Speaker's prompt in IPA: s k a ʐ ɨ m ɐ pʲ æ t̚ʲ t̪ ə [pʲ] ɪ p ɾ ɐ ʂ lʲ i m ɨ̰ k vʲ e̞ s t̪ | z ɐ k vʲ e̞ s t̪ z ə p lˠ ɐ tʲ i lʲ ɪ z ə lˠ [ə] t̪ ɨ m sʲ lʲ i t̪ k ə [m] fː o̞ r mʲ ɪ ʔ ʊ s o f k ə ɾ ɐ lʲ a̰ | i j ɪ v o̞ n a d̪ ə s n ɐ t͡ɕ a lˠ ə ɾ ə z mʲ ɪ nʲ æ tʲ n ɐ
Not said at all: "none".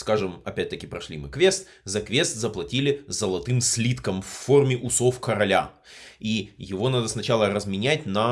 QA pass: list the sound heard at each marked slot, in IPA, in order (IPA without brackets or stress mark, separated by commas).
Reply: kʲ, ɐ, m